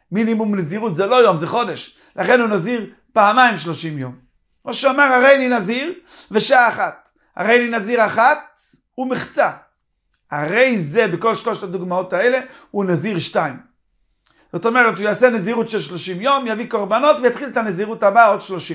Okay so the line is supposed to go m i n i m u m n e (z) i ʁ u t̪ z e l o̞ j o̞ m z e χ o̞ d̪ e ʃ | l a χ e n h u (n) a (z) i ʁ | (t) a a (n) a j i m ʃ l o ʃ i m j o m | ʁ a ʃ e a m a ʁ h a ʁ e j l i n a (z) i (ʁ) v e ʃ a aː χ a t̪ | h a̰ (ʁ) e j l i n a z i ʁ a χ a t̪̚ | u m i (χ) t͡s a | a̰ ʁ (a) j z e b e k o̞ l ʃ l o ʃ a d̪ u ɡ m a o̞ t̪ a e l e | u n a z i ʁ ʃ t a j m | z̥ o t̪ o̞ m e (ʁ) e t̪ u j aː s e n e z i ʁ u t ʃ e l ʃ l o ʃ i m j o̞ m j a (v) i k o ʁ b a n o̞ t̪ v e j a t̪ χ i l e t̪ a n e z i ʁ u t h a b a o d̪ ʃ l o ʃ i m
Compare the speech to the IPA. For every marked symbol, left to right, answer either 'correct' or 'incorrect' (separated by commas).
correct, correct, correct, incorrect, incorrect, correct, correct, correct, correct, incorrect, correct, correct